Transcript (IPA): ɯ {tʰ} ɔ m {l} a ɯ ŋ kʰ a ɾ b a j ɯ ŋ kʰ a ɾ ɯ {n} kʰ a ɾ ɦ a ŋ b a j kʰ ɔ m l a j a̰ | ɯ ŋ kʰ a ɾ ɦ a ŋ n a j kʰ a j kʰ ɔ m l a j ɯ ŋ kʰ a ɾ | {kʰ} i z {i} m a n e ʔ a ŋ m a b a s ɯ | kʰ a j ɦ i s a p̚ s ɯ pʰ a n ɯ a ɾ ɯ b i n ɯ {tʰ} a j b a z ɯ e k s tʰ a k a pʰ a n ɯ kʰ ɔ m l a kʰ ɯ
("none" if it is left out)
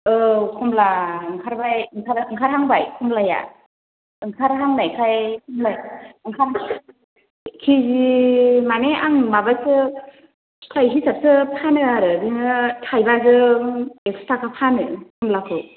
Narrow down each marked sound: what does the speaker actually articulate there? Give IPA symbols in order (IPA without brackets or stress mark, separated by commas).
kʰ, l, ŋ, kʰ, i, tʰ